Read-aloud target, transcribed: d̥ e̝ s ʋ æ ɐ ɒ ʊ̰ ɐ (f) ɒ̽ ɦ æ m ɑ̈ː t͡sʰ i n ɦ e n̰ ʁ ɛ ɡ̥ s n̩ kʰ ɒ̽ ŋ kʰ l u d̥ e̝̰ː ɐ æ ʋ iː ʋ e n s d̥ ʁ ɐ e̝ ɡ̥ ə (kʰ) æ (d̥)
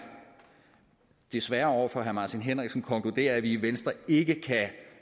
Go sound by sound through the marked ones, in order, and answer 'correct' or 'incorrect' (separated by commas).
correct, correct, incorrect